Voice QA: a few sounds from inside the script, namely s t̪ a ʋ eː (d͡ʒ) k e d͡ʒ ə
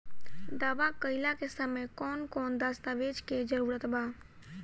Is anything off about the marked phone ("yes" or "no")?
no